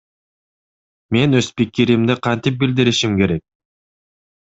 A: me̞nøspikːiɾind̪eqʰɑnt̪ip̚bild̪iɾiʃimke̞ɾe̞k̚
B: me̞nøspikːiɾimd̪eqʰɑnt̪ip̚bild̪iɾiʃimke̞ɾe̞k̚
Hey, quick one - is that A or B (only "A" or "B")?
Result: B